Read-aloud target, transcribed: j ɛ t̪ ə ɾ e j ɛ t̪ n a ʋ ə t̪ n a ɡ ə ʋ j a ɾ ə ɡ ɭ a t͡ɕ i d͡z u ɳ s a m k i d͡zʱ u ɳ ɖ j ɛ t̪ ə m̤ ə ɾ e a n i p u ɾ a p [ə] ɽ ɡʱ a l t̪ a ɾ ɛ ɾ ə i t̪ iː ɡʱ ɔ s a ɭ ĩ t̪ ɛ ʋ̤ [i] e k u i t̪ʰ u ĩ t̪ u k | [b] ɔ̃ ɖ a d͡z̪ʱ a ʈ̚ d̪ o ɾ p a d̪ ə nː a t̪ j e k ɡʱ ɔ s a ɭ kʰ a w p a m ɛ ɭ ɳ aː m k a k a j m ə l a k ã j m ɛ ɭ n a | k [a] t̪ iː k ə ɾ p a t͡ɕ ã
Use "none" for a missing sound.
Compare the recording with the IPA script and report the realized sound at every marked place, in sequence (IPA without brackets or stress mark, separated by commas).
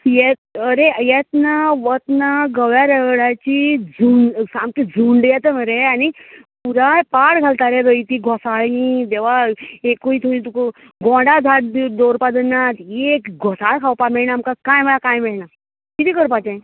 a, a, ɡ, i